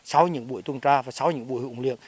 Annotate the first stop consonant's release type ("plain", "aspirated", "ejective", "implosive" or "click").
implosive